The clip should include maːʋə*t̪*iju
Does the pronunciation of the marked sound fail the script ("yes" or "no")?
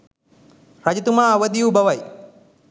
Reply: yes